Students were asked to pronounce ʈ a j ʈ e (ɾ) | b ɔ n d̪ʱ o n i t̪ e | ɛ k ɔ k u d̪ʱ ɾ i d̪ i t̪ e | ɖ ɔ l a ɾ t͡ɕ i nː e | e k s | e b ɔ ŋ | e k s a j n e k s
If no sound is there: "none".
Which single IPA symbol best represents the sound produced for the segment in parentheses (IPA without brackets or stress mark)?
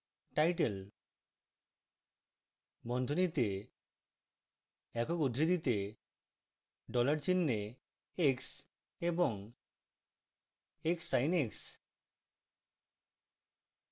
l